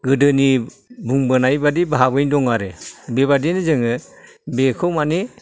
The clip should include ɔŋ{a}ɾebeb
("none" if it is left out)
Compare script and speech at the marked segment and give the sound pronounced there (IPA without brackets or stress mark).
a